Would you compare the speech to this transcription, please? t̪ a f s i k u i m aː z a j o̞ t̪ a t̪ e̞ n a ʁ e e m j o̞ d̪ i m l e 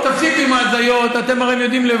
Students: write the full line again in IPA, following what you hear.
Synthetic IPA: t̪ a f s i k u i m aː z a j o̞ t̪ a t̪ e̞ m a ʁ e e m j o̞ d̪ i m l e